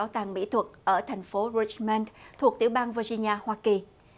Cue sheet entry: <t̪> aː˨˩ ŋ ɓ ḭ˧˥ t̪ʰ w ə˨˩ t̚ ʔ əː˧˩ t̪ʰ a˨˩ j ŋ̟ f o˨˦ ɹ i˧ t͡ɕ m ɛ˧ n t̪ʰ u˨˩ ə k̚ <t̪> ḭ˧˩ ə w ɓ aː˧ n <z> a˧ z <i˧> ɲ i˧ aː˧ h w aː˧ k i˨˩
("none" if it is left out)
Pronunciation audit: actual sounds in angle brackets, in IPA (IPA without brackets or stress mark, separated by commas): t̪, t̪, v, i˧